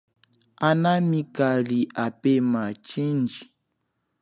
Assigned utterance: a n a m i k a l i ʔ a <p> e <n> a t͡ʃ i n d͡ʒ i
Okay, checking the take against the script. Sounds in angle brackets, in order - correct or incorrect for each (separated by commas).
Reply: correct, incorrect